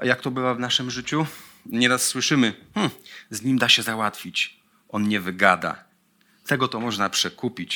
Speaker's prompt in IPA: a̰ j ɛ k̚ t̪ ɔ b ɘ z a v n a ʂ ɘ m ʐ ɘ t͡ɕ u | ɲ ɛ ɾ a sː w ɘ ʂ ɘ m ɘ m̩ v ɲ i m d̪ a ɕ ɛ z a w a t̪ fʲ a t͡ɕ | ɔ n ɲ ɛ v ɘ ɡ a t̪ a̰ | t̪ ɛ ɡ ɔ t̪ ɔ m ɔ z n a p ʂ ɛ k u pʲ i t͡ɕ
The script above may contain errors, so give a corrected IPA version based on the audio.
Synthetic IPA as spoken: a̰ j a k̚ t̪ ɔ b ɘ v a v n a ʂ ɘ m ʐ ɘ t͡ɕ u | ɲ ɛ ɾ a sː w ɘ ʂ ɘ m ɘ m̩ z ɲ i m d̪ a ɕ ɛ z a w a t̪ fʲ i t͡ɕ | ɔ n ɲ ɛ v ɘ ɡ a d̪ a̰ | t̪ ɛ ɡ ɔ t̪ ɔ m ɔ ʐ n a p ʂ ɛ k u pʲ i t͡ɕ